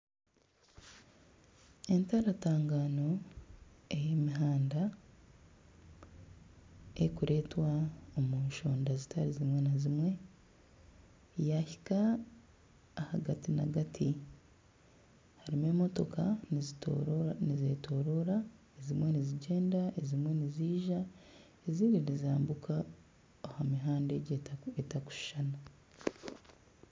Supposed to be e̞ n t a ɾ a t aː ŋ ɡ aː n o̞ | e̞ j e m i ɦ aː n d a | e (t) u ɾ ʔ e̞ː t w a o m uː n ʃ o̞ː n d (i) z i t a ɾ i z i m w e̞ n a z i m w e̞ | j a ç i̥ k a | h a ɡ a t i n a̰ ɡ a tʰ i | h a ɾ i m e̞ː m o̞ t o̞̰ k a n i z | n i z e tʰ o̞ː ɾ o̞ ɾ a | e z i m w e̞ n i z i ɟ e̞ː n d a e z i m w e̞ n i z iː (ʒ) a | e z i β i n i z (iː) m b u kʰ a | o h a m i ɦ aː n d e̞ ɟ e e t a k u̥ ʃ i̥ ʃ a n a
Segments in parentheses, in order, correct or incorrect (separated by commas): incorrect, incorrect, correct, incorrect